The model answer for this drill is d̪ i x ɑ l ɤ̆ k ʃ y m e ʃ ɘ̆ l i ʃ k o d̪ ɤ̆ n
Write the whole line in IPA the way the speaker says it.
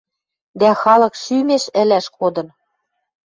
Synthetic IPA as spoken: d̪ æ x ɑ l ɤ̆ k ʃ y m e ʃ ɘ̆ l æ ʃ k o d̪ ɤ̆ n